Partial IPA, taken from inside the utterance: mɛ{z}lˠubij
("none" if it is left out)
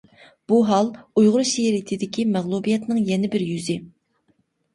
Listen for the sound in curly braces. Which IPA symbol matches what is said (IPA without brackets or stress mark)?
ʁ